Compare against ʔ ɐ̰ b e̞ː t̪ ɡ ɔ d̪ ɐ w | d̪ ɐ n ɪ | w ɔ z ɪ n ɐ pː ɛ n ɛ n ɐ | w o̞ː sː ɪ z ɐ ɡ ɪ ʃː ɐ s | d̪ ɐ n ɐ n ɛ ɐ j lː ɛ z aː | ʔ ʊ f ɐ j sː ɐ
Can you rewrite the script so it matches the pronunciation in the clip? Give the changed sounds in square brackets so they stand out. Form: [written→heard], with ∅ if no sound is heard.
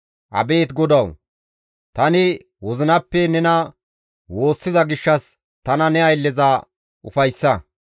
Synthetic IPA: ʔ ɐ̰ b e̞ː t̪ ɡ ɔ d̪ ɐ w | [d̪→t̪] ɐ n ɪ | w ɔ z ɪ n ɐ pː ɛ n ɛ n ɐ | w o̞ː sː ɪ z ɐ ɡ ɪ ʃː ɐ s | [d̪→t̪] ɐ n ɐ n ɛ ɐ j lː ɛ z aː | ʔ ʊ f ɐ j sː ɐ